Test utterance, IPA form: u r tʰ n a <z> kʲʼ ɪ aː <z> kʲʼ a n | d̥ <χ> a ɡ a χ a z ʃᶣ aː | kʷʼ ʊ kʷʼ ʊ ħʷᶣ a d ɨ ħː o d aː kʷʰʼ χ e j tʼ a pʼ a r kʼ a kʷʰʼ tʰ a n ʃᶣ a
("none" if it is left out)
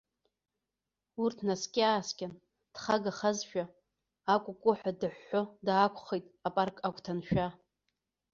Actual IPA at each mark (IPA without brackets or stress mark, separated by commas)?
s, s, χ